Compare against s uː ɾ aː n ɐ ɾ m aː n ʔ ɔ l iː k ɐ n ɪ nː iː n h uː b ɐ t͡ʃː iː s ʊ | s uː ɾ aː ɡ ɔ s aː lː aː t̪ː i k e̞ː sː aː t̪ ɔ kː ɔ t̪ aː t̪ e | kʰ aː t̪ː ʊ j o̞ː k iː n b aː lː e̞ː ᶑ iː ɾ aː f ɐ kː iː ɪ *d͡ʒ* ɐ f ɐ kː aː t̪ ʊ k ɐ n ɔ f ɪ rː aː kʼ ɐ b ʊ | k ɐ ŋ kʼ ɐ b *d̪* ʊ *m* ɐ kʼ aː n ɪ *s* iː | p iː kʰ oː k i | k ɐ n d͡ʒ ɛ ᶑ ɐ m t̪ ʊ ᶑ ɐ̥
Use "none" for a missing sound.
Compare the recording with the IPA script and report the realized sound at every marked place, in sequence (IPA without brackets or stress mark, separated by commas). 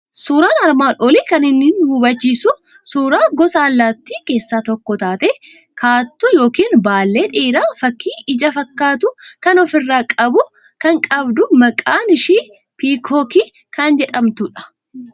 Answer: d͡ʒ, d̪, m, ʃ